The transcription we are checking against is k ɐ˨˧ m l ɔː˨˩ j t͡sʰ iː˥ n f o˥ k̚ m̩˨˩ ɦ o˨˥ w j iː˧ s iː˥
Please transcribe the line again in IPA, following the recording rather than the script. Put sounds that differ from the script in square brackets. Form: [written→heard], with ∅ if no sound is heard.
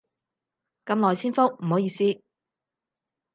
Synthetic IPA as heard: k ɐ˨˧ m l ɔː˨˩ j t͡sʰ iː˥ n f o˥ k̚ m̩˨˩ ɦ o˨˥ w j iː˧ s iː˥